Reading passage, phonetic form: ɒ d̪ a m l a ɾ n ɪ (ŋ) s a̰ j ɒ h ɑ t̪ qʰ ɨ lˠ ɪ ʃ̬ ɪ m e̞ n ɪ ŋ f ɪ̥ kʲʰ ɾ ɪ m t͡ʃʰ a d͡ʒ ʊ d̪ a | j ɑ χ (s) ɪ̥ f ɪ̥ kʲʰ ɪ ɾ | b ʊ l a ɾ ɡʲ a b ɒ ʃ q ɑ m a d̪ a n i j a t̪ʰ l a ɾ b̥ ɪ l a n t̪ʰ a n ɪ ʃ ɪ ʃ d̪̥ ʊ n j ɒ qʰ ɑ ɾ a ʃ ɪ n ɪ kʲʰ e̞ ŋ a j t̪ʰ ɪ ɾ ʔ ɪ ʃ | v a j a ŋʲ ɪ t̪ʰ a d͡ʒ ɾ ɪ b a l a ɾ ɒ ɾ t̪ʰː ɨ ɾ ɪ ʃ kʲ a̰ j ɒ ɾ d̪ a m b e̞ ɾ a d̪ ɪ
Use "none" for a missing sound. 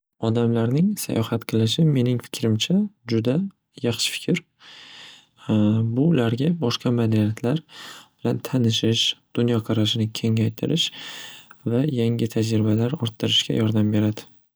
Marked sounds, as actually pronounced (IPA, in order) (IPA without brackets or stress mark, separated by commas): ŋ, ʃ